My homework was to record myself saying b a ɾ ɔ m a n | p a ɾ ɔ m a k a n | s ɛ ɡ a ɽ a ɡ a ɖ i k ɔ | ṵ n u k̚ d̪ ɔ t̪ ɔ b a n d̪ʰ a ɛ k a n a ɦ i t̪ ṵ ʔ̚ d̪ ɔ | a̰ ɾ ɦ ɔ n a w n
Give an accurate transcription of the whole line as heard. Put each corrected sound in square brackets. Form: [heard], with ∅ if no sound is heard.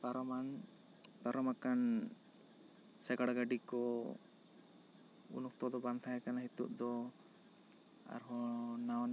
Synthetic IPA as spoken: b a ɾ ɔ m a n | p a ɾ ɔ m a k a n | s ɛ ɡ a ɽ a ɡ a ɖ i k ɔ | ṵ n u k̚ [t̪] ɔ [d̪] ɔ b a n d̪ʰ a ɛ k a n a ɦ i t̪ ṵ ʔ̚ d̪ ɔ | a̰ ɾ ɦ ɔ n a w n

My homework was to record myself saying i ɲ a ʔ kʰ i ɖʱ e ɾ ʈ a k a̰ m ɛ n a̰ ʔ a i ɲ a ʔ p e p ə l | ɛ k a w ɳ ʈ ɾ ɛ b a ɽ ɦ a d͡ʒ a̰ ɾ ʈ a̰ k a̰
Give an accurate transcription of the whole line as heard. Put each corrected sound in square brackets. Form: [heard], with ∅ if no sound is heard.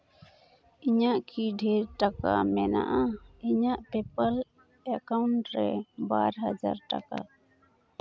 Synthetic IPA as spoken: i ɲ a ʔ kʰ i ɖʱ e ɾ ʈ a k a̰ m ɛ n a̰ ʔ a i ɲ a ʔ p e p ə l | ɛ k a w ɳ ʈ ɾ ɛ b a [ɾ] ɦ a d͡ʒ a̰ ɾ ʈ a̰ k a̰

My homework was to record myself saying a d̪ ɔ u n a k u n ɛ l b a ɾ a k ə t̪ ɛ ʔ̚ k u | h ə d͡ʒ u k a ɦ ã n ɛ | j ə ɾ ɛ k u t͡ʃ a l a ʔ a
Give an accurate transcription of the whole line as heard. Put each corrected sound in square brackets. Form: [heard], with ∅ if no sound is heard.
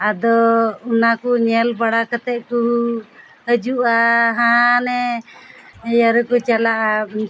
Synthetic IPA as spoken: a d̪ ɔ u n a k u [ɲ] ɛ l b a [ɽ] a k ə t̪ ɛ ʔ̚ k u | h ə d͡ʒ u [ʔ] a ɦ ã n ɛ | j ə ɾ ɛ k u t͡ʃ a l a ʔ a

